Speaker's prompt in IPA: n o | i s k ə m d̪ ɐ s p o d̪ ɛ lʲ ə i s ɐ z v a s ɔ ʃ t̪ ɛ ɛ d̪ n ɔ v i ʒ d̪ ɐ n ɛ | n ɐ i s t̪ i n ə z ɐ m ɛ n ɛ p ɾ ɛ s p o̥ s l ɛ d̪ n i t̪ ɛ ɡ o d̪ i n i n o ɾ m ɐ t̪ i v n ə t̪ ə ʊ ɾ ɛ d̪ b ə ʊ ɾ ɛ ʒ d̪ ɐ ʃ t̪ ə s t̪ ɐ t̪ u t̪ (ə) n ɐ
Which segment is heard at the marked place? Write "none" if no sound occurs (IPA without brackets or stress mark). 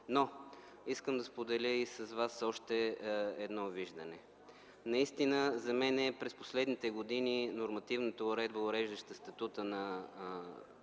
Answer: ə